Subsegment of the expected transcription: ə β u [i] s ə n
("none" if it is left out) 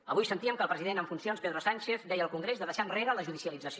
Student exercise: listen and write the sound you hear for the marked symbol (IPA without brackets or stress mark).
j